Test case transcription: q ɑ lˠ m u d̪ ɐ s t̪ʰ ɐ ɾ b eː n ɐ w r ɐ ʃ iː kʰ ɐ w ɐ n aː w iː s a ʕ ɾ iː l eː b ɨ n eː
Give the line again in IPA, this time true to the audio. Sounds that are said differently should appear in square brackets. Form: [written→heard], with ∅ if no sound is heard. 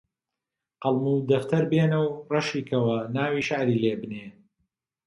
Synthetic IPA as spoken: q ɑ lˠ m u d̪ ɐ [s→f] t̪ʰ ɐ ɾ b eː n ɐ w r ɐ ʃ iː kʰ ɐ w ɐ n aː w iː [s→ʃ] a ʕ ɾ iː l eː b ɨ n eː